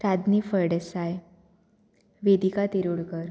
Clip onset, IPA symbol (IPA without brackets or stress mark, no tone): ɾ